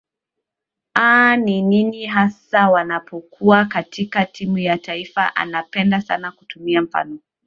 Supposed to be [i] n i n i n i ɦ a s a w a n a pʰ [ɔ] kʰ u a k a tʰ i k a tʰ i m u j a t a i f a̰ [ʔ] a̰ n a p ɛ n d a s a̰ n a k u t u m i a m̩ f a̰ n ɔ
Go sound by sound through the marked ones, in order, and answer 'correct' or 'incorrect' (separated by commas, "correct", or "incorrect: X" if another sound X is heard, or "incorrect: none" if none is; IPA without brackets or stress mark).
incorrect: a, correct, correct